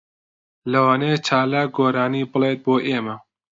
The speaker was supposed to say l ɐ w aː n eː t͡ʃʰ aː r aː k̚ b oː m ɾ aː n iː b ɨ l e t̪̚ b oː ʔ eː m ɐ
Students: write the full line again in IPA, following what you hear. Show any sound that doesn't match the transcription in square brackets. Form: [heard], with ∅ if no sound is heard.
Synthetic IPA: l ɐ w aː n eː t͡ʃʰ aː [l] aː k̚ [ɡ] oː [∅] ɾ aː n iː b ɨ l e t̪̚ b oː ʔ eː m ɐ